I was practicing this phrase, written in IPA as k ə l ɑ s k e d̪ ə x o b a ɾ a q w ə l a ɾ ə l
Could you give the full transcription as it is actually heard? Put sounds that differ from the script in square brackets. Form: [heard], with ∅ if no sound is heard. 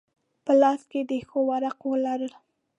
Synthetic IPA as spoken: [p] ə l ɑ s k e d̪ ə x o [w] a ɾ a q w ə l a ɾ ə l

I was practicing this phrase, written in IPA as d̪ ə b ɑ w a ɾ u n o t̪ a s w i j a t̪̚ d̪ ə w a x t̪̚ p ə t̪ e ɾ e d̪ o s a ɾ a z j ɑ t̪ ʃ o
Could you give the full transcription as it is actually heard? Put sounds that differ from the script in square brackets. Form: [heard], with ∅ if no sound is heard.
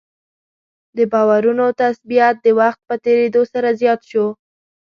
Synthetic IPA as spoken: d̪ ə b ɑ w a ɾ u n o t̪ a s [b] i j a t̪̚ d̪ ə w a x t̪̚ p ə t̪ e ɾ e d̪ o s a ɾ a z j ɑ t̪ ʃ o

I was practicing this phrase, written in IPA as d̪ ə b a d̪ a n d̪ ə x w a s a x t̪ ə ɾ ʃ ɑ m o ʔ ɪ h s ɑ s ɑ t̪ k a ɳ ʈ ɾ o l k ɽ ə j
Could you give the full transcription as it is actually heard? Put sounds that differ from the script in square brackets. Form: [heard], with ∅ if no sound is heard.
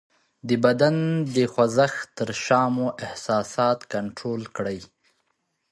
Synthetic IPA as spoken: d̪ ə b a d̪ a n d̪ ə x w a [z] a x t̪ ə ɾ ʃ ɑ m o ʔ ɪ h s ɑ s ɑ t̪ k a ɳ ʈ ɾ o l k ɽ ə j

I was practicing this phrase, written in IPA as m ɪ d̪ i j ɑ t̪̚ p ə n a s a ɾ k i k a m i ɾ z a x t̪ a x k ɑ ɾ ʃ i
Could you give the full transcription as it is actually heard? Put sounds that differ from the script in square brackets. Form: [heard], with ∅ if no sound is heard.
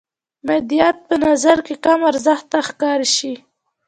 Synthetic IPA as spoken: m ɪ d̪ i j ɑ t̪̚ p ə n a [z] a ɾ k [e] k a m [a] ɾ z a x t̪ a x k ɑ ɾ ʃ i

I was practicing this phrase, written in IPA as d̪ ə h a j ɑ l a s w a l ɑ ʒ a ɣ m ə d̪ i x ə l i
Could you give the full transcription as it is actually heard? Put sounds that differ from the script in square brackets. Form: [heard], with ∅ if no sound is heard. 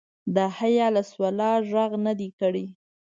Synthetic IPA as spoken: d̪ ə h a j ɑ l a s w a l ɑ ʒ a ɣ [n] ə d̪ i [k] ə [ɽ] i

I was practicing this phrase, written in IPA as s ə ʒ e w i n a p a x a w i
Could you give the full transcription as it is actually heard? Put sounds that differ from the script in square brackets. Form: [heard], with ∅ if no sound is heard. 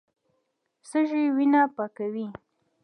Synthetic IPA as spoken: s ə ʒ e w i n a p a [k] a w i

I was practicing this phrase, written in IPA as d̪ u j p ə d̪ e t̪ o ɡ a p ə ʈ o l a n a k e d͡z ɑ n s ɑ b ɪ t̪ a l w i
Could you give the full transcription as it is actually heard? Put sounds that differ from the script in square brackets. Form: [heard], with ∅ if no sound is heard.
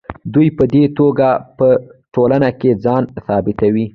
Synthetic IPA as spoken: d̪ u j p ə d̪ e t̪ o ɡ a p ə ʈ o l a n a k e d͡z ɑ n s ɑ b ɪ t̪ a [∅] w i

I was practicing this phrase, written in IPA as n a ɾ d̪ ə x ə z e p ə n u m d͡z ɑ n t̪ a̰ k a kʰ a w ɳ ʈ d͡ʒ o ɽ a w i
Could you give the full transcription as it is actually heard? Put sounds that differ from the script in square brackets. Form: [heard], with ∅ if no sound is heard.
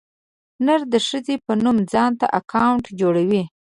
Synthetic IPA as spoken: n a ɾ d̪ ə [ʂ] ə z e p ə n u m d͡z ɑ n t̪ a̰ [ʔ] a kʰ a w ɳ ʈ d͡ʒ o ɽ a w i

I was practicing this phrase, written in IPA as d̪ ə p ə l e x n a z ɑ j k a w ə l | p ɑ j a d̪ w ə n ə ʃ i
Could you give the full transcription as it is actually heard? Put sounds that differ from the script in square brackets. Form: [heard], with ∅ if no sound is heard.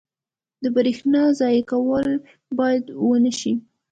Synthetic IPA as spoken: d̪ ə [b] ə [ɾ] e x n [ɑ] z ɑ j k a w ə l | [b] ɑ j a d̪ w ə n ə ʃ i

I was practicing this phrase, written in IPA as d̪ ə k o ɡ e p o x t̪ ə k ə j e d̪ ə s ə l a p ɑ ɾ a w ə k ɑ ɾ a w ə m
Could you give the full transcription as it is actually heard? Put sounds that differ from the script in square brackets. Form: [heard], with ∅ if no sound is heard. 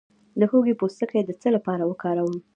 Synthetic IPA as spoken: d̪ ə [x] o ɡ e p o [s] t̪ ə k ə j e d̪ ə [t͡s] ə l a p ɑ ɾ a w ə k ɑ ɾ a w ə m

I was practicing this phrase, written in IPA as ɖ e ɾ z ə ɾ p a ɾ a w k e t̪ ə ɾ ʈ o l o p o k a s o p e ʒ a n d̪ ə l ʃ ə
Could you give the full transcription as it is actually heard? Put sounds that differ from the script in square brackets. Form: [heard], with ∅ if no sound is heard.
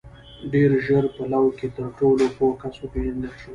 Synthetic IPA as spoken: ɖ e ɾ [ʒ] ə ɾ p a [l] a w k e t̪ ə ɾ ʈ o l o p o k a s o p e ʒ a n d̪ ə l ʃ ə

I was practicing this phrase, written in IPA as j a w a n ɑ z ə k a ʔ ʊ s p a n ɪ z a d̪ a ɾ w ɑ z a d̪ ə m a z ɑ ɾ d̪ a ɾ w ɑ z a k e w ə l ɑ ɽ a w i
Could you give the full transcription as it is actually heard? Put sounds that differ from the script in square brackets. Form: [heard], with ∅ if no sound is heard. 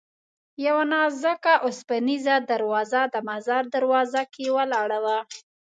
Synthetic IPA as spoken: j a w a n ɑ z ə k a ʔ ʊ s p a n [i] z a d̪ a ɾ w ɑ z a d̪ ə m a z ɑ ɾ d̪ a ɾ w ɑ z a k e w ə l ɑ ɽ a w [a]

